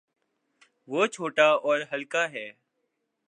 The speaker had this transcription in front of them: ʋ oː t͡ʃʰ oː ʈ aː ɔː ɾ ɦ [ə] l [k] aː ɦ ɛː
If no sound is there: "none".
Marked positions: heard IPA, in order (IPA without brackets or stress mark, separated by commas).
ə, k